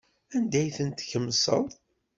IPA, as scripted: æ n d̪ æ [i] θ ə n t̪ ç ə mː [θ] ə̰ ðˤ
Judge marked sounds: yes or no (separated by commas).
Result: no, no